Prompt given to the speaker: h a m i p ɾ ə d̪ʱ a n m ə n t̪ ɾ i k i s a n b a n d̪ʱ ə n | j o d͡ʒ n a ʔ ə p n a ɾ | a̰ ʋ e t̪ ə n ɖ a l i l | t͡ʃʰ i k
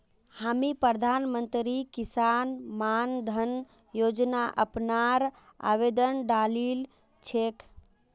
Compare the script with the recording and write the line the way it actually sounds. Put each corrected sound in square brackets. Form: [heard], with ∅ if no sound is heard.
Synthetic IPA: h a m i p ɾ ə d̪ʱ a n m ə n t̪ ɾ i k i s a n [m] a n d̪ʱ ə n | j o d͡ʒ n a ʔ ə p n a ɾ | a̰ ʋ e [d̪] ə n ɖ a l i l | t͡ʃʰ [e] k